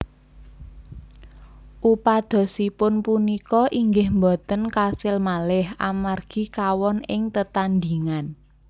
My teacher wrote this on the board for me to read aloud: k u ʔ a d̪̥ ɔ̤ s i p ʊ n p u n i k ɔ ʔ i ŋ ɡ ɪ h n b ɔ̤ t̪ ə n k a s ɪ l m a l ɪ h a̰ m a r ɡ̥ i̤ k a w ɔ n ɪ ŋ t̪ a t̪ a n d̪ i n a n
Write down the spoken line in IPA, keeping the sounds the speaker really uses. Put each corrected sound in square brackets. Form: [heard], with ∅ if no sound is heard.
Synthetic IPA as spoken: [ʔ] u [p] a d̪̥ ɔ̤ s i p ʊ n p u n i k ɔ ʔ i ŋ ɡ ɪ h [m] b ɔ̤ t̪ ə n k a s ɪ l m a l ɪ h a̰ m a r ɡ̥ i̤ k a w ɔ n ɪ ŋ t̪ [ə] t̪ a n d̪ i [ŋ] a n